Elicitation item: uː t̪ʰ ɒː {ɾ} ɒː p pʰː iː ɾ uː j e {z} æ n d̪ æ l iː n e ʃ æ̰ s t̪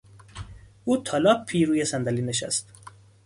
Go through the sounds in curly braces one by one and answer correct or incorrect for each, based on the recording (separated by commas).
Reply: incorrect, incorrect